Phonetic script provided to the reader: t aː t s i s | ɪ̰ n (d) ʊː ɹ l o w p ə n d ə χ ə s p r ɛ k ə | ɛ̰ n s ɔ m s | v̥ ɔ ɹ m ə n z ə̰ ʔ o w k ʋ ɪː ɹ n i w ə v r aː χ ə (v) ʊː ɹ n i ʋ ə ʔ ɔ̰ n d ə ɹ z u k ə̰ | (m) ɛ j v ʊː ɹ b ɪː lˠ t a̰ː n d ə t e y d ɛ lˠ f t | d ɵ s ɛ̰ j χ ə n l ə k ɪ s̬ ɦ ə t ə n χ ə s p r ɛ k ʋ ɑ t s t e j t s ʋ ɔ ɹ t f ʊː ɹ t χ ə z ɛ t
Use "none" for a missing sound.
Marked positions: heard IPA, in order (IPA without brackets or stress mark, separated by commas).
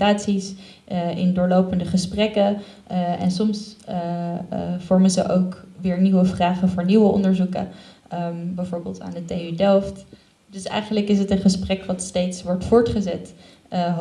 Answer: d, v, b